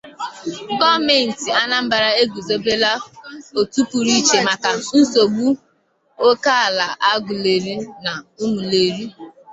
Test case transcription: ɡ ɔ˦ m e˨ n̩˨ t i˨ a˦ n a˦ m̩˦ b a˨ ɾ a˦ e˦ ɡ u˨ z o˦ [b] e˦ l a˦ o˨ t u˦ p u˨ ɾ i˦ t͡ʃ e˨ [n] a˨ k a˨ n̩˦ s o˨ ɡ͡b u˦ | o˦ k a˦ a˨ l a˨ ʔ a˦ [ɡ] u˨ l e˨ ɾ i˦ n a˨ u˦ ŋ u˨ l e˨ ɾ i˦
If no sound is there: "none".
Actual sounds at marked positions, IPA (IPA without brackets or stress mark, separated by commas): b, m, ɡ